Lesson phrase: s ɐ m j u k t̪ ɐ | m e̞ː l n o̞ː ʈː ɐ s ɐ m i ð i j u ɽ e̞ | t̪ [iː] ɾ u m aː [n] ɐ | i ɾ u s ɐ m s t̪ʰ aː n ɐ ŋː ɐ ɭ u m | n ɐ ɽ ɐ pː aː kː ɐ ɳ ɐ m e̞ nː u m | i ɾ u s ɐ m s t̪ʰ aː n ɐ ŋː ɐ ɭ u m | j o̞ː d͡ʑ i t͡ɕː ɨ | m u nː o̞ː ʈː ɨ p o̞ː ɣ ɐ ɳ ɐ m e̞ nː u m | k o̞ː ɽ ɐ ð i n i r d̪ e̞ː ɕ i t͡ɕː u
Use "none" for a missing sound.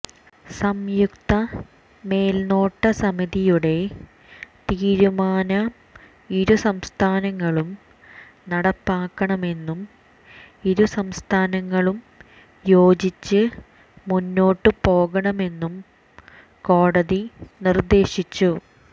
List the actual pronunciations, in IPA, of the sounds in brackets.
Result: iː, n

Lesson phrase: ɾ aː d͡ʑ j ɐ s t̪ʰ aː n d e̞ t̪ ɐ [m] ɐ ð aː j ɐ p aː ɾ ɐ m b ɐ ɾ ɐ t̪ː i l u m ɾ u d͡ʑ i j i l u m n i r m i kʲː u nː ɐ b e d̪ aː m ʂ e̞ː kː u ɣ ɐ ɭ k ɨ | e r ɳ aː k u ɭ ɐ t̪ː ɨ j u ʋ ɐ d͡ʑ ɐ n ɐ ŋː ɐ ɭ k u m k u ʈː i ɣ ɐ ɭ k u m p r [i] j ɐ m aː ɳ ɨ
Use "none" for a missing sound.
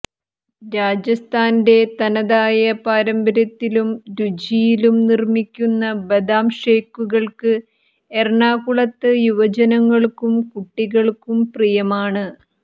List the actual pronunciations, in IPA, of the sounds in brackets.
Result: n, i

